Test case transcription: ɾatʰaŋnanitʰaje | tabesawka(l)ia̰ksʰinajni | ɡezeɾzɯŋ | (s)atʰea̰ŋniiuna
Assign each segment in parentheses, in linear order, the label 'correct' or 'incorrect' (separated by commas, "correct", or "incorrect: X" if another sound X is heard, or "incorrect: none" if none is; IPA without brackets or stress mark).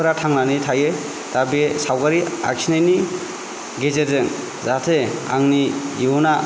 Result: incorrect: ɾ, incorrect: z